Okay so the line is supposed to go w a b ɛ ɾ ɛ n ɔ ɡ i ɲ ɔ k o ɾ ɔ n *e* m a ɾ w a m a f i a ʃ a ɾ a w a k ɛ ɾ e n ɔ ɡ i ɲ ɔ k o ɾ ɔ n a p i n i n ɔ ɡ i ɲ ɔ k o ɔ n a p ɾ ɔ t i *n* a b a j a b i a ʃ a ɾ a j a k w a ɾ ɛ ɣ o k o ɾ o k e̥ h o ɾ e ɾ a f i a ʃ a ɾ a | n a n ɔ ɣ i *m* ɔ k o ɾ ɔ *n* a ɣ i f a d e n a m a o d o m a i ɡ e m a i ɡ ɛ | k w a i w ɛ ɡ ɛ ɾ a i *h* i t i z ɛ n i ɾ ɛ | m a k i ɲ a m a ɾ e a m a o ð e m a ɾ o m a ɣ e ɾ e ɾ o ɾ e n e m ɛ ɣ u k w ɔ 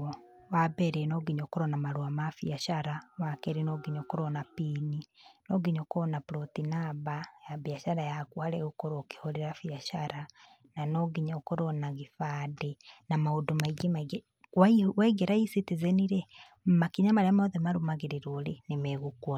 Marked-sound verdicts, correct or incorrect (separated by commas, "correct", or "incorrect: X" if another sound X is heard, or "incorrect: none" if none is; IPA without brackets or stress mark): incorrect: a, correct, incorrect: ɲ, correct, incorrect: s